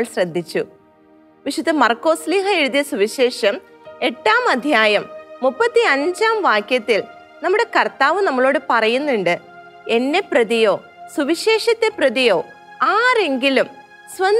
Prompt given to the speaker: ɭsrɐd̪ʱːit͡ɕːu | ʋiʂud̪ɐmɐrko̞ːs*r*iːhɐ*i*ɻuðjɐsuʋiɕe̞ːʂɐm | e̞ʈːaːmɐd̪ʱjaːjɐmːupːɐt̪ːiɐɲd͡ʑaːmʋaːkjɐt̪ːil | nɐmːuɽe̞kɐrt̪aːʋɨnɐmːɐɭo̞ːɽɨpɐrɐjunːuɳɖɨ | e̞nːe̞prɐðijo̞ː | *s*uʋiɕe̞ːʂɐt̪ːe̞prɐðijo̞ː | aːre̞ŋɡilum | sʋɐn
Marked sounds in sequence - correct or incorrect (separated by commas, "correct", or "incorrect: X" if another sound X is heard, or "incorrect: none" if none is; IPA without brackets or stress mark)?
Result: incorrect: l, incorrect: e, correct